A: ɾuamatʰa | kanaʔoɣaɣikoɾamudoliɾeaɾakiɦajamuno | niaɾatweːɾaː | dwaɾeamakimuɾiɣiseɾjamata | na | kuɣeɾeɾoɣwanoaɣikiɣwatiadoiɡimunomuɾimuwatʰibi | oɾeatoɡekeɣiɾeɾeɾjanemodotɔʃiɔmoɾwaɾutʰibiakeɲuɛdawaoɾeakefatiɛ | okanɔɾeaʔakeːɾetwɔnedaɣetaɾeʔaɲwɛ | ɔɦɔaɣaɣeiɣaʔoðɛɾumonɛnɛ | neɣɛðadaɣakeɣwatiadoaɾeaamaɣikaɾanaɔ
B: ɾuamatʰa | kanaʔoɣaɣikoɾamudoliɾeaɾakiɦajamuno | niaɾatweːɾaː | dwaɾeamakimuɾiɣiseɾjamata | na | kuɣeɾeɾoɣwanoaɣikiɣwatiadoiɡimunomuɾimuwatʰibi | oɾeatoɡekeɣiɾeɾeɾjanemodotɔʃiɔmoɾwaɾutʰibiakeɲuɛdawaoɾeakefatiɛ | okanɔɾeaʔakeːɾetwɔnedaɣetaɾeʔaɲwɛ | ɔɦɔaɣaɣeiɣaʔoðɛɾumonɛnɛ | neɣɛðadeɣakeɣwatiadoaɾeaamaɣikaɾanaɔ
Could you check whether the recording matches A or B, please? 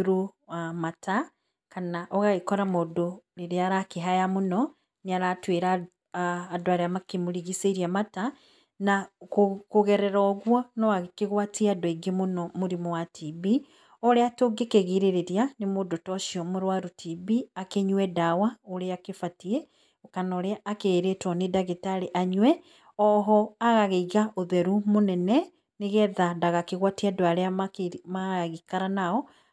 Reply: A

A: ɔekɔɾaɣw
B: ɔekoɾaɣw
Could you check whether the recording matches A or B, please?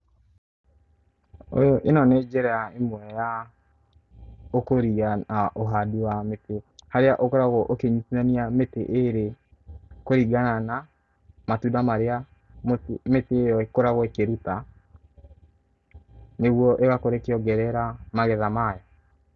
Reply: B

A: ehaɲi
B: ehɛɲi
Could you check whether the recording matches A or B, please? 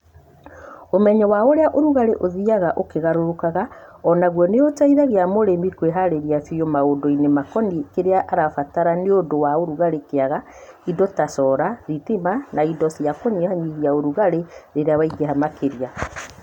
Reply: A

